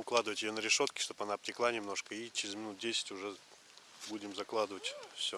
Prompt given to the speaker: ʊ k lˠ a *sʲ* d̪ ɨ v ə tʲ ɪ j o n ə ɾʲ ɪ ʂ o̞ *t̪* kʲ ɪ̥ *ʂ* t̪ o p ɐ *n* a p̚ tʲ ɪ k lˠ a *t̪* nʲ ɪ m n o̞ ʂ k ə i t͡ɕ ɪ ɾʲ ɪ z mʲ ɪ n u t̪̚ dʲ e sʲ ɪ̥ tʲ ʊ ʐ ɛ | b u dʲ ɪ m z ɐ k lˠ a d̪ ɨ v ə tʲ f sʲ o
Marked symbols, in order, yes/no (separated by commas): no, yes, yes, yes, no